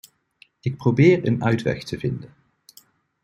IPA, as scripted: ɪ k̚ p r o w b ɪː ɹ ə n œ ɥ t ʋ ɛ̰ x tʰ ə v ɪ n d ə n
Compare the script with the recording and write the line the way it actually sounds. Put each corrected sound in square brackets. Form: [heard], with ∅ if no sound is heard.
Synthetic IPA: ɪ k̚ p r o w b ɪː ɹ ə n œ ɥ t ʋ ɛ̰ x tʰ ə v ɪ n d ə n